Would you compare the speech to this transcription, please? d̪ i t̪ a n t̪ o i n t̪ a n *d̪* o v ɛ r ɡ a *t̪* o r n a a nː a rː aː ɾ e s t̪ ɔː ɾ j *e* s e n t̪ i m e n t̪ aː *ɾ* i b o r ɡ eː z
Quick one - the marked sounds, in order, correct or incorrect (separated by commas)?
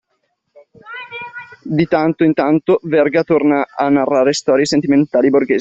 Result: incorrect, correct, correct, incorrect